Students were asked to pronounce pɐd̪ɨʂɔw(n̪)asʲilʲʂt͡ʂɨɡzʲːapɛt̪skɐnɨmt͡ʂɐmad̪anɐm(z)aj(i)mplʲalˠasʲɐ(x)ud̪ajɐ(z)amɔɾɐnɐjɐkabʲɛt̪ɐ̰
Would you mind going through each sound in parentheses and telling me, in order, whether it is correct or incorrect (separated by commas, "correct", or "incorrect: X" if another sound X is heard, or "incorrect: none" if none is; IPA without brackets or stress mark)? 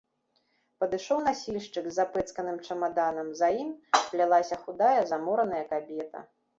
correct, correct, correct, correct, correct